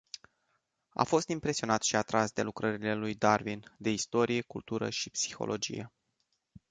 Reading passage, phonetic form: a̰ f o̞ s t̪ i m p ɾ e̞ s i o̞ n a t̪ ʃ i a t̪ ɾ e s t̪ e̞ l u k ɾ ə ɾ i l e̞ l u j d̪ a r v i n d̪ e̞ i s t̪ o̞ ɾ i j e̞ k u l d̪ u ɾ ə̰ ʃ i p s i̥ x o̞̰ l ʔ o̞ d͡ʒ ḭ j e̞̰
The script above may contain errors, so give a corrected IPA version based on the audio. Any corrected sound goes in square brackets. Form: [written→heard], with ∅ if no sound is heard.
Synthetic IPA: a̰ f o̞ s t̪ i m p ɾ e̞ s i o̞ n a t̪ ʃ i a t̪ ɾ [e→a] s [t̪→d̪] e̞ l u k ɾ ə ɾ i l e̞ l u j d̪ a r v i n d̪ e̞ i s t̪ o̞ ɾ i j e̞ k u l [d̪→t̪] u ɾ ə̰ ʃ i p s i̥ x o̞̰ l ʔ o̞ d͡ʒ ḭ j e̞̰